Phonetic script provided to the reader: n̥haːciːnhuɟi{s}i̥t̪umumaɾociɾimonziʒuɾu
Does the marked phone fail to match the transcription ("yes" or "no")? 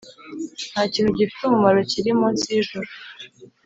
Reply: yes